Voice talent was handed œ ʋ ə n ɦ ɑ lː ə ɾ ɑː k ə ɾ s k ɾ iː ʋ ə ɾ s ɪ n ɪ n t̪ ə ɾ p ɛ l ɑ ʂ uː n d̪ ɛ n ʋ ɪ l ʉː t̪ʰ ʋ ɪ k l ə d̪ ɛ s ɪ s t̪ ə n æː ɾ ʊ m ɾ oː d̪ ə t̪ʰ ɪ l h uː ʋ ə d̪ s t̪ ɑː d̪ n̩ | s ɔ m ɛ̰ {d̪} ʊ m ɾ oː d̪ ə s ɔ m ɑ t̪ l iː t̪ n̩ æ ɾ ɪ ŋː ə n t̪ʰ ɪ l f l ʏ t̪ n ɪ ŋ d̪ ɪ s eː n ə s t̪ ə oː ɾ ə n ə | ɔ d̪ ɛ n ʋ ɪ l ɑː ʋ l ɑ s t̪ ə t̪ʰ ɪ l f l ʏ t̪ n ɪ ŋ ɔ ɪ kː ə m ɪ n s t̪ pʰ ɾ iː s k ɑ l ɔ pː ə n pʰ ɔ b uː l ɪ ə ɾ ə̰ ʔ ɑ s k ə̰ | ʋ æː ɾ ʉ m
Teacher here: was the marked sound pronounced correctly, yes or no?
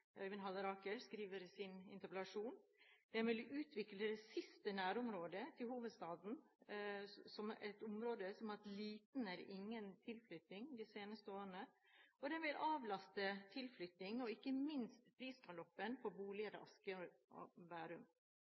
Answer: no